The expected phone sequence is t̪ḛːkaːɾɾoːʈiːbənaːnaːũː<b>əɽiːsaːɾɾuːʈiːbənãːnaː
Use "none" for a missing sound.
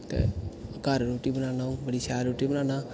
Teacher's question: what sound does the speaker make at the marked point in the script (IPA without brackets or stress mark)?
b